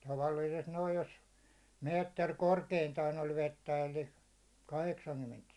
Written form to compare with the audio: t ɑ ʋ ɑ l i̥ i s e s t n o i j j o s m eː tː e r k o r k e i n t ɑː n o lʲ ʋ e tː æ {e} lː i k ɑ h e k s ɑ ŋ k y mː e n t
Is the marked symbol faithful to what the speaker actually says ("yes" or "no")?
yes